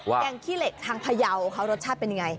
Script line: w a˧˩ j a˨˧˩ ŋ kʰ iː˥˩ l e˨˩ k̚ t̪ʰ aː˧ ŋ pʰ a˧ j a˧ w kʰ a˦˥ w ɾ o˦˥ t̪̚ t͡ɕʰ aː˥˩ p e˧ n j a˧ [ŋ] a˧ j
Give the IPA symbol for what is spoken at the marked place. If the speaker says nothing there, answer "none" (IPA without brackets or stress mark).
ŋ